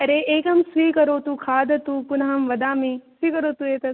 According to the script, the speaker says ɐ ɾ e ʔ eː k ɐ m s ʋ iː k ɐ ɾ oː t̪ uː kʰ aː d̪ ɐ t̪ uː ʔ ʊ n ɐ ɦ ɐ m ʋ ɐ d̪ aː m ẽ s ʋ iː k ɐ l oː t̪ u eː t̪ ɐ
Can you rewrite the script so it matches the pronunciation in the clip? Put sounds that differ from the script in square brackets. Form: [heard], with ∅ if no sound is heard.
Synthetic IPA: ɐ ɾ e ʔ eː k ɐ m s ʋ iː k ɐ ɾ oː t̪ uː kʰ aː d̪ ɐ t̪ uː [p] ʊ n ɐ ɦ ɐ m ʋ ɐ d̪ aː m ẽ s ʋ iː k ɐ [ɾ] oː t̪ u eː t̪ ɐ